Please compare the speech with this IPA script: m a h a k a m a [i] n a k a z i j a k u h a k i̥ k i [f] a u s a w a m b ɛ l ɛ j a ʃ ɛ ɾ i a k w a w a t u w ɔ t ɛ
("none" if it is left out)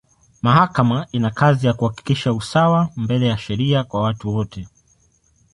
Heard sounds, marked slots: i, ʃ

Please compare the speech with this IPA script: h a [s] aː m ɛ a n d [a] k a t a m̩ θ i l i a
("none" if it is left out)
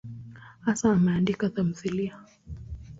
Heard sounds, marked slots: s, i

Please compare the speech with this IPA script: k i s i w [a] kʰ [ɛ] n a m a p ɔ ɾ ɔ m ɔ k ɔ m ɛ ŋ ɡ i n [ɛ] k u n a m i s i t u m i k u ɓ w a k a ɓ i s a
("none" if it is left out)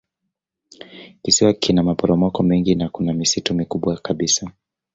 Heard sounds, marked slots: a, i, a

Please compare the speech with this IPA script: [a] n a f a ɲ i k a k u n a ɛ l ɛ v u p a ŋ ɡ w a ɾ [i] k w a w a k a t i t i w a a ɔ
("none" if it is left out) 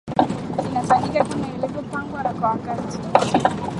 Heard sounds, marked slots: i, a

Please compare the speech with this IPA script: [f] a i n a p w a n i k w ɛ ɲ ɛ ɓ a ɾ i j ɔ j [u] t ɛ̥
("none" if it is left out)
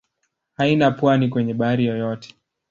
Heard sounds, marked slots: h, ɔ

